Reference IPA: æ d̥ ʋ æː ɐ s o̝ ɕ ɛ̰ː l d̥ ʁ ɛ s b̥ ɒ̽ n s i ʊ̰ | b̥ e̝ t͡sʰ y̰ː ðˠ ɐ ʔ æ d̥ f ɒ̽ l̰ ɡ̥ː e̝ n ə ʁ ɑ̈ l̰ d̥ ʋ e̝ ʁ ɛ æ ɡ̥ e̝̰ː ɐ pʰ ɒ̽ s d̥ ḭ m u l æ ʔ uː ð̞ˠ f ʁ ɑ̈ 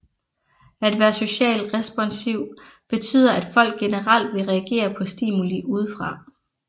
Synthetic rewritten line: æ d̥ ʋ æː ɐ s o̝ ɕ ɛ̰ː l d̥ ʁ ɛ s b̥ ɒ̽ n s i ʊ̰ | b̥ e̝ t͡sʰ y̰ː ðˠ ɐ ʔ æ d̥ f ɒ̽ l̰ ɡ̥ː e̝ n ə ʁ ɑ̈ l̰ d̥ ʋ e̝ ʁ ɛ æ ɡ̥ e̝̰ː ɐ pʰ ɒ̽ s d̥ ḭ m u l i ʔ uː ð̞ˠ f ʁ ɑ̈